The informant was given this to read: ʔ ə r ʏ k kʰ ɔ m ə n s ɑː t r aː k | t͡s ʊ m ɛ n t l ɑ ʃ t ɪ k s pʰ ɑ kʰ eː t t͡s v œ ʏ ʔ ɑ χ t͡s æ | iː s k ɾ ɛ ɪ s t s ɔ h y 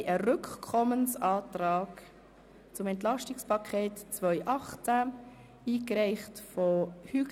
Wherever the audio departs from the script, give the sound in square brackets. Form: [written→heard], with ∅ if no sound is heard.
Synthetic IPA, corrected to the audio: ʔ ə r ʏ k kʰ ɔ m ə n s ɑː t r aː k | t͡s ʊ m ɛ n t l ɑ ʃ t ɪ k s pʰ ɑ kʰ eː t t͡s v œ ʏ ʔ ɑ χ t͡s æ | iː [s→∅] k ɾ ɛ ɪ [s→χ] t [s→f] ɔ h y